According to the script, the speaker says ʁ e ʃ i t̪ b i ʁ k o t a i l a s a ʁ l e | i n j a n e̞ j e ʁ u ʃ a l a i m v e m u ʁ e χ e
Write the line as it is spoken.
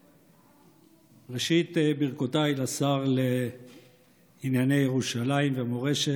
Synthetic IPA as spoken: ʁ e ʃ i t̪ b i ʁ k o t a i l a s a ʁ l e | i n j a n e̞ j e ʁ u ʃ a l a i m v e m o ʁ e ʃ e